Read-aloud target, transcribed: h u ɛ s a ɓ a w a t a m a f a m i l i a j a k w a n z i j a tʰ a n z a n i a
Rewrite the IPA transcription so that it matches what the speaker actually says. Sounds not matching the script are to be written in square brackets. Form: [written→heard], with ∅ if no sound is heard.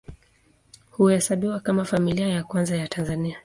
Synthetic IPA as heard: h u ɛ s a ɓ [a→i] w a [t→k] a m a f a m i l i a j a k w a n z [i→a] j a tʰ a n z a n i a